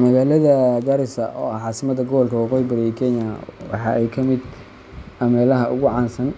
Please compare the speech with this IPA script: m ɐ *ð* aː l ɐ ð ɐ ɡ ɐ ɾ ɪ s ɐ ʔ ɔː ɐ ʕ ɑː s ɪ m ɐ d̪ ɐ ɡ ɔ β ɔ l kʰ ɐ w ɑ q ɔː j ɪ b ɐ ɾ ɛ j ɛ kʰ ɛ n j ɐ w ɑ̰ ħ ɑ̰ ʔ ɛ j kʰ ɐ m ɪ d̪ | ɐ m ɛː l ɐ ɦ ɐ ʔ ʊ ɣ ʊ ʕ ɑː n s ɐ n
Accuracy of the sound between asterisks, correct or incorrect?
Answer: incorrect